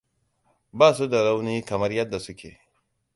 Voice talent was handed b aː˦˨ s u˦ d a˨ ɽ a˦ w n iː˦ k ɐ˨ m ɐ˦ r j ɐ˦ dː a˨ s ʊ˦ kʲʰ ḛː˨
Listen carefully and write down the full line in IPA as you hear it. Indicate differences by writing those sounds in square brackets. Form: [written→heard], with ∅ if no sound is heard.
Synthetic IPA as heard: b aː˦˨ s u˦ d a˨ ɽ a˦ w n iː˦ k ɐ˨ m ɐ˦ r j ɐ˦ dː a˨ s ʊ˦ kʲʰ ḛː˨